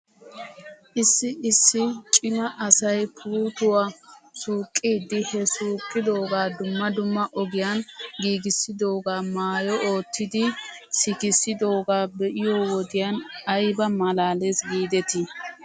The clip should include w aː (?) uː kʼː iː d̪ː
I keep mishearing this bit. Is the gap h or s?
s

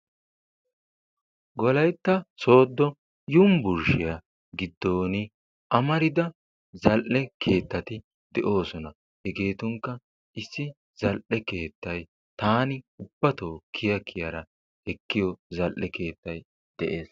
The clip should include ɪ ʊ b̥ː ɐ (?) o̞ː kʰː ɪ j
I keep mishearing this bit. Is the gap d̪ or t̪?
t̪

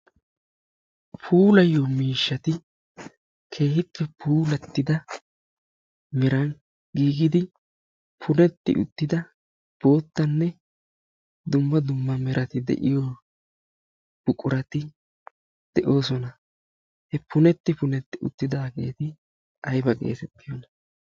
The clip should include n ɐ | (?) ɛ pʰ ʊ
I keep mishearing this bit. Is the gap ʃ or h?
h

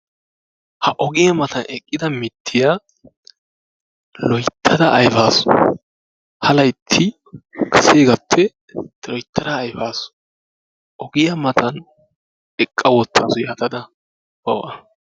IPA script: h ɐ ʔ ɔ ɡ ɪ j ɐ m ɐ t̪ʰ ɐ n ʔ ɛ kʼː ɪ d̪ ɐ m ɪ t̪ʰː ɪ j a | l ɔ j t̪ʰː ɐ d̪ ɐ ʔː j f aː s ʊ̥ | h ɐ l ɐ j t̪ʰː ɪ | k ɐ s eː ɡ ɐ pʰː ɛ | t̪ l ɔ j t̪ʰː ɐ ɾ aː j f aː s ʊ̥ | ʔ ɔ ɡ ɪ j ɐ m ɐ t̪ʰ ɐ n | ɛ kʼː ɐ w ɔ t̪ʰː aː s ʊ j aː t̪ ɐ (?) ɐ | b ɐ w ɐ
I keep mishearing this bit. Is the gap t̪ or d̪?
d̪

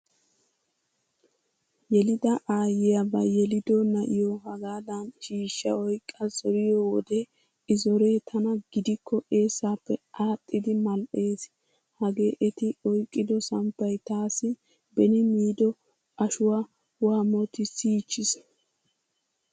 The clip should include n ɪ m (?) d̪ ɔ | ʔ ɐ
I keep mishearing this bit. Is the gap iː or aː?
iː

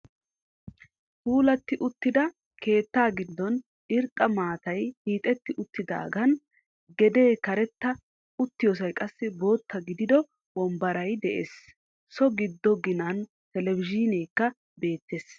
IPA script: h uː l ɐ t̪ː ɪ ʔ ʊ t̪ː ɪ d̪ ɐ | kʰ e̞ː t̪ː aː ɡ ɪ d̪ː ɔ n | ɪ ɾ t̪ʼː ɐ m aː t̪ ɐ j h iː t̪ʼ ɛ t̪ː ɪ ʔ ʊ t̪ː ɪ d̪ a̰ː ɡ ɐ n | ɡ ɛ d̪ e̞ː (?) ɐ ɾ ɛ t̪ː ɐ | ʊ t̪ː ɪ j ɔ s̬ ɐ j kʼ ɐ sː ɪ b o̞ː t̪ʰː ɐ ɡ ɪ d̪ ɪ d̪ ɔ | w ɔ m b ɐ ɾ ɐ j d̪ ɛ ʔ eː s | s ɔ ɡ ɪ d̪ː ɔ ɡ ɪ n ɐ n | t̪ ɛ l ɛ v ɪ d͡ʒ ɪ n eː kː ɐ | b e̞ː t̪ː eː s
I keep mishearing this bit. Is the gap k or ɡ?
k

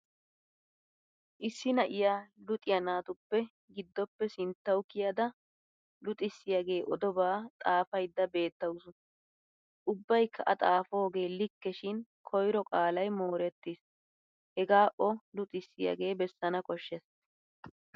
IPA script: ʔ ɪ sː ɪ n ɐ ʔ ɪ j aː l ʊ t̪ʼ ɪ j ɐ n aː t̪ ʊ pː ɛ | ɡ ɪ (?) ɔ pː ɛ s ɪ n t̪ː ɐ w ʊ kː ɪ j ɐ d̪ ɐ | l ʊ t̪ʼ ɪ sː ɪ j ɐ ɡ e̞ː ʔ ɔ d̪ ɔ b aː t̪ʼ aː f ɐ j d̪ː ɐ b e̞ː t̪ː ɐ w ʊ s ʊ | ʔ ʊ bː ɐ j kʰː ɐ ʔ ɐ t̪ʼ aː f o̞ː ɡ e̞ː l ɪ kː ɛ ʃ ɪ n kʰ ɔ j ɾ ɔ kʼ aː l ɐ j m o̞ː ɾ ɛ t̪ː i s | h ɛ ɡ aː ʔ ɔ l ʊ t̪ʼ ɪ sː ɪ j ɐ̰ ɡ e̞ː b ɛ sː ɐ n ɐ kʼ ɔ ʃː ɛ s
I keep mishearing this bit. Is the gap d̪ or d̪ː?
d̪ː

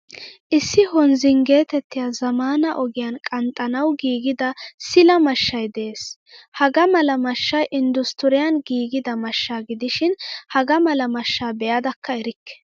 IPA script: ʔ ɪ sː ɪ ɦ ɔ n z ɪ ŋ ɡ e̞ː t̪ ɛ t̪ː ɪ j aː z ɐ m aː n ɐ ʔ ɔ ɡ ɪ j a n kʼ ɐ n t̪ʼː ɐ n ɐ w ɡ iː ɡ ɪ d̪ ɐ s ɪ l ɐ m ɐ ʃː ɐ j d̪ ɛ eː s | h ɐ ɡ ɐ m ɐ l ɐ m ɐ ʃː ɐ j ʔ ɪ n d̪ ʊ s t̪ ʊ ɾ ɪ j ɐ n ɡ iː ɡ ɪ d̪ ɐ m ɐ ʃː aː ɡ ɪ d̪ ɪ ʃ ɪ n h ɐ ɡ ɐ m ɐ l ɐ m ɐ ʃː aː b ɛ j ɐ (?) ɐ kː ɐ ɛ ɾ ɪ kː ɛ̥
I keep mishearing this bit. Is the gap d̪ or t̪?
d̪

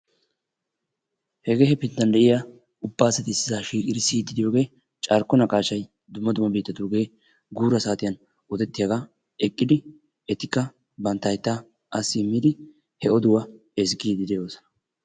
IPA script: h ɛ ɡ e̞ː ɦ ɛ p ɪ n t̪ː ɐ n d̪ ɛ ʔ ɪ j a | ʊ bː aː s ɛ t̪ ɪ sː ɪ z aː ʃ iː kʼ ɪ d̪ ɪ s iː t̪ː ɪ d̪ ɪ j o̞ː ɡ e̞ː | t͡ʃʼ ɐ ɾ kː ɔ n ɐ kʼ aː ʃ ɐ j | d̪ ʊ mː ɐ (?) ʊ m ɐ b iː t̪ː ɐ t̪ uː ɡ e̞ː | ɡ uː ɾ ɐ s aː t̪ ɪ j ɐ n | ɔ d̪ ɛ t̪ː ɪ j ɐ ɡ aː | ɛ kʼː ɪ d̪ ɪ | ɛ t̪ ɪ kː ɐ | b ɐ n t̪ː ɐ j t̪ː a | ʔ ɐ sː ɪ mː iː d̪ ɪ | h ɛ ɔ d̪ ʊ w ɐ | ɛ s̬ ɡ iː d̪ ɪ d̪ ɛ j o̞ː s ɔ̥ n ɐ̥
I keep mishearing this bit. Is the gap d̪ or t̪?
d̪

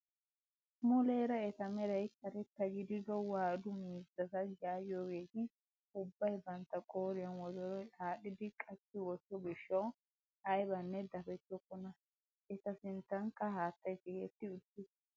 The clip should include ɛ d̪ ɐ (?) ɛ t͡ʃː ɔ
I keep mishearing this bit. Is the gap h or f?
f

